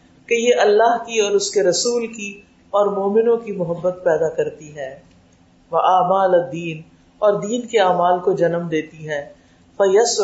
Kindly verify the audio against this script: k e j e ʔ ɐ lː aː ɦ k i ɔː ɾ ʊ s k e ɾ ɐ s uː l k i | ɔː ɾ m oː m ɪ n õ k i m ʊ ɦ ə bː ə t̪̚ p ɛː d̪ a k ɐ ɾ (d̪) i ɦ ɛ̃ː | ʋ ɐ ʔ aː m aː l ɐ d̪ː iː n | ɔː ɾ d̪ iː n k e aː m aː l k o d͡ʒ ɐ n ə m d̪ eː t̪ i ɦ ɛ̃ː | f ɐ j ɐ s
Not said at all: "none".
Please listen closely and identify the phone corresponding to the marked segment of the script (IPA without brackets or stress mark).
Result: t̪